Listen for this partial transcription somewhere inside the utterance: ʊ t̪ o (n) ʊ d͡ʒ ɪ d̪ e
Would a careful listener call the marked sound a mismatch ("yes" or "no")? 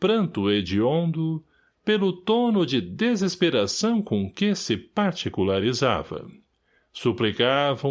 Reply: no